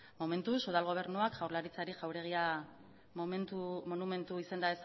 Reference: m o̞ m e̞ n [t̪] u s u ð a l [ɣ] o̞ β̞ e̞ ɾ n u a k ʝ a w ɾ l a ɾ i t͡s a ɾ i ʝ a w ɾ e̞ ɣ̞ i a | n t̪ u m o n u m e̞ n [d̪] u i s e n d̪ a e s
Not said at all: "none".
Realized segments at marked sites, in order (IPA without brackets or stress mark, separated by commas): t̪, ɣ, t̪